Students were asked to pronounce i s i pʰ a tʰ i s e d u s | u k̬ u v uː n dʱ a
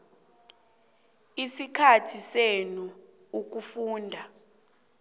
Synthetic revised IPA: i s i kʰ a tʰ i s e n u | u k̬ u f uː n dʱ a